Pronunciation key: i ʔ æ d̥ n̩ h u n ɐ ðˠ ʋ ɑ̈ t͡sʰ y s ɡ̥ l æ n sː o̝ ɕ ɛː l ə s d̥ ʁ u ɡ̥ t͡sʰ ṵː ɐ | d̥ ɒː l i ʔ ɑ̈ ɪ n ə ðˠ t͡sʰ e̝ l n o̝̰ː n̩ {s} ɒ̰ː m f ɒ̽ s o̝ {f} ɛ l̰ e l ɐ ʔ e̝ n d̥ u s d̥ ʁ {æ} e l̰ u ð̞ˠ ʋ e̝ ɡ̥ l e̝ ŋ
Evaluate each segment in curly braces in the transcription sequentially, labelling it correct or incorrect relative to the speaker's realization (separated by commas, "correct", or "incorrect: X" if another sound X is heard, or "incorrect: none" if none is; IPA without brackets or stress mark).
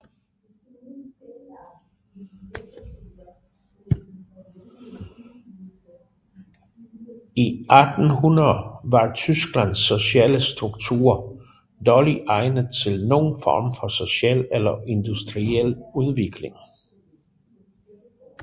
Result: incorrect: f, incorrect: ɕ, incorrect: i